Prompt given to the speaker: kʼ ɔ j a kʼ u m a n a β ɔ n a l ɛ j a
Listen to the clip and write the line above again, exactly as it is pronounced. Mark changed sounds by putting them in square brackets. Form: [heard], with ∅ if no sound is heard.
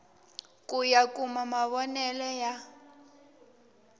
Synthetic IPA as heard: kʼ [u] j a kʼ u m a [m] a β ɔ n [ɛ] l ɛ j a